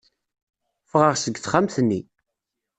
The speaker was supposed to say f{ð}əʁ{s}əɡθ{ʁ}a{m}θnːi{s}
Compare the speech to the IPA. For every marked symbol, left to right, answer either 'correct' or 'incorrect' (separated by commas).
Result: incorrect, correct, incorrect, correct, incorrect